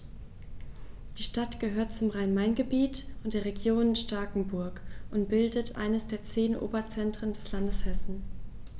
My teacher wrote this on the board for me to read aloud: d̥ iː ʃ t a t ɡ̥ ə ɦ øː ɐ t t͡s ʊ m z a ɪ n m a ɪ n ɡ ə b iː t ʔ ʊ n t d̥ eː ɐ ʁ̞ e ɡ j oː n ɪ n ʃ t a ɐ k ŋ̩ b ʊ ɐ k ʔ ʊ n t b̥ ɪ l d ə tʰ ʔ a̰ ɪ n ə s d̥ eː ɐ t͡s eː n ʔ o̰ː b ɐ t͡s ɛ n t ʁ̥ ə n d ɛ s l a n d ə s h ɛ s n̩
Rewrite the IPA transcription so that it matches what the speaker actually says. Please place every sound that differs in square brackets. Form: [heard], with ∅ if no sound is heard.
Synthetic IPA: d̥ iː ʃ t a t ɡ̥ ə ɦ øː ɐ t t͡s ʊ m [ʁ] a ɪ n m a ɪ n ɡ ə b iː t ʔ ʊ n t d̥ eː ɐ ʁ̞ e ɡ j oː n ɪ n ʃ t a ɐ k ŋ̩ b ʊ ɐ k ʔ ʊ n t b̥ ɪ l d ə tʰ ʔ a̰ ɪ n ə s d̥ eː ɐ t͡s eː n ʔ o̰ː b ɐ t͡s ɛ n t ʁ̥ ə n d ɛ s l a n d ə s h ɛ s n̩